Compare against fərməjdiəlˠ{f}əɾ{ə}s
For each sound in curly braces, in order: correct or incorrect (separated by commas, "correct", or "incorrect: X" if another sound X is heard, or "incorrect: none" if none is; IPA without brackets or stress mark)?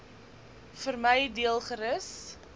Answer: incorrect: χ, correct